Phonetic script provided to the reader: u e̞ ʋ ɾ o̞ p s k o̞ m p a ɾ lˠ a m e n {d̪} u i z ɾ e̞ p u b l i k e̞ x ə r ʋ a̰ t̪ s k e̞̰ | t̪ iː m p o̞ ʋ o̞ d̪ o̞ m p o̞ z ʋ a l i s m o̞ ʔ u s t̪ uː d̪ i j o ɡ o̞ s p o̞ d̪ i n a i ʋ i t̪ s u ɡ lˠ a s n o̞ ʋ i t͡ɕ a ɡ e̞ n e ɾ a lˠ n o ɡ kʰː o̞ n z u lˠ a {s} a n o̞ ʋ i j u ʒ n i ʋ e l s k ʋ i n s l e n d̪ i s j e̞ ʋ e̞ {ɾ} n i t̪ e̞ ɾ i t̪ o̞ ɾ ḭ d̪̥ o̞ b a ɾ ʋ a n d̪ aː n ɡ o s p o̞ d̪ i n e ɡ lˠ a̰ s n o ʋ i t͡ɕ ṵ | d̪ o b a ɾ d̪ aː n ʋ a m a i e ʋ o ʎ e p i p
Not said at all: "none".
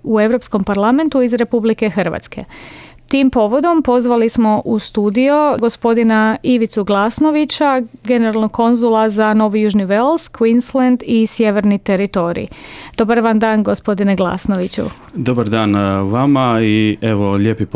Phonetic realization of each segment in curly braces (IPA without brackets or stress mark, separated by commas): t̪, z, ɾ